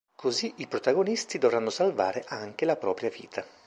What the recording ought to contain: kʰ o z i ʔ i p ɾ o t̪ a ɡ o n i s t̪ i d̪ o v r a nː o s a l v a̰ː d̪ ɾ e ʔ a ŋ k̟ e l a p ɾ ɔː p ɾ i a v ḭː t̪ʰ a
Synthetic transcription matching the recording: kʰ o z i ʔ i p ɾ o t̪ a ɡ o n i s t̪ i d̪ o v r a nː o s a l v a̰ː ɾ e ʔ a ŋ k̟ e l a p ɾ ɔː p ɾ j a v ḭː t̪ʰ a